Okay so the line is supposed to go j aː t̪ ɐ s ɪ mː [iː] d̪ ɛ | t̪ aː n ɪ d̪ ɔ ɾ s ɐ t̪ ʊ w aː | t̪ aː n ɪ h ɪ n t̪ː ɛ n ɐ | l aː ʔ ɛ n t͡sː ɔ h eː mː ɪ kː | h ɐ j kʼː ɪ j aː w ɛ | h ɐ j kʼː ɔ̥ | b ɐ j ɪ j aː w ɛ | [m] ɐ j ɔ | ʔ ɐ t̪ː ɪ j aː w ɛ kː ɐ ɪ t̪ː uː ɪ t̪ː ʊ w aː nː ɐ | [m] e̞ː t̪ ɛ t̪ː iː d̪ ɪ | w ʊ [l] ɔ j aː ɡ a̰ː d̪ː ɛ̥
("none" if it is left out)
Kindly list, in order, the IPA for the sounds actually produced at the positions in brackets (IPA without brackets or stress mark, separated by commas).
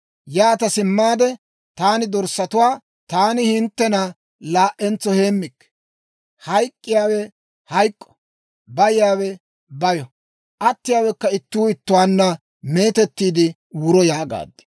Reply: aː, b, m, ɾ